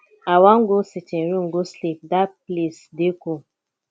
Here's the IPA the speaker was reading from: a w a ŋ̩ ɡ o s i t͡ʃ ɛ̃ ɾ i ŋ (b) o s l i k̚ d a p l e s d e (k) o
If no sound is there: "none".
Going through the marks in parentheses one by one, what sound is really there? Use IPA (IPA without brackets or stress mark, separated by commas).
ɡ, k